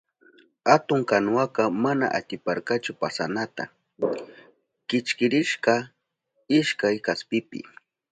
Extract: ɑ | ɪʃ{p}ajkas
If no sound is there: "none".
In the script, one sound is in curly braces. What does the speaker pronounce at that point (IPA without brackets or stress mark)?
k